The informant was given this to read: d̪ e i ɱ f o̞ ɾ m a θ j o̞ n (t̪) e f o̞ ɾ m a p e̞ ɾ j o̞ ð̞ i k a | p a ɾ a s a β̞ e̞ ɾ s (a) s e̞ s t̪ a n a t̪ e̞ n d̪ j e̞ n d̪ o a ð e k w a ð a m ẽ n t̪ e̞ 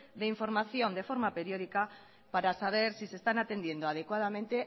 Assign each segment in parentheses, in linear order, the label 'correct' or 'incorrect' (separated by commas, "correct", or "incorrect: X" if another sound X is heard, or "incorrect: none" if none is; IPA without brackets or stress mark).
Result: incorrect: d̪, incorrect: i